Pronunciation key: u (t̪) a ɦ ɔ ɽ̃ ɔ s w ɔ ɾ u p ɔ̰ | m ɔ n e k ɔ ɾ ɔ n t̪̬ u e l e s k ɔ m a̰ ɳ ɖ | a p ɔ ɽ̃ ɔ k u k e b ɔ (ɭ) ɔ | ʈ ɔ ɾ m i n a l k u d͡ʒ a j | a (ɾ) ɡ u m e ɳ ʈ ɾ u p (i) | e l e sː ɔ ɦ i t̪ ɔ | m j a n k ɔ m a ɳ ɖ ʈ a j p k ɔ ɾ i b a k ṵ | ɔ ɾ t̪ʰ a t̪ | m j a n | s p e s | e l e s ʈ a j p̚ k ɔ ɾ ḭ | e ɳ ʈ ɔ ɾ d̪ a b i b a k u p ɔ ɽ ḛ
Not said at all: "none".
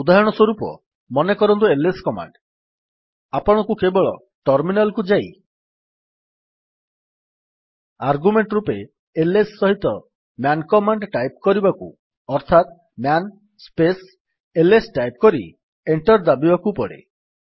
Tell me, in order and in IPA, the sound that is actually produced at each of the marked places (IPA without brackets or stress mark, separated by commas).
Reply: d̪, ɭ, ɾ, e